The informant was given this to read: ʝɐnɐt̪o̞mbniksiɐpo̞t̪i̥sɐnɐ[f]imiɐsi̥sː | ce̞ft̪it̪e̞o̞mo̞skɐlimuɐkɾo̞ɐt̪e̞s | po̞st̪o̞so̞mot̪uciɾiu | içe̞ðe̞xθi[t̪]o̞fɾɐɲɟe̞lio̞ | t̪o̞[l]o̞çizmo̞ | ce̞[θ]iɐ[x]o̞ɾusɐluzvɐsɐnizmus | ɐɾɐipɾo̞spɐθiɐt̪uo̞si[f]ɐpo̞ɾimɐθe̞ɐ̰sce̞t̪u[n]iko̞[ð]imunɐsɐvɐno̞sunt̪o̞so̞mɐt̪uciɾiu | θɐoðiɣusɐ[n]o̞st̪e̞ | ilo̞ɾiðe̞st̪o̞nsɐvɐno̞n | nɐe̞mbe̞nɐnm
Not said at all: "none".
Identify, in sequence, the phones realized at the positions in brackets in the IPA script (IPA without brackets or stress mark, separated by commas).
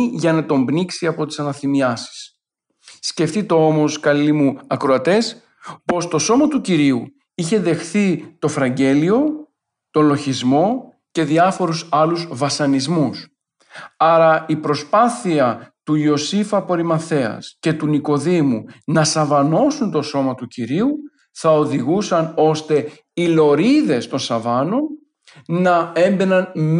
θ, t̪, l, ð, f, f, n, ð, n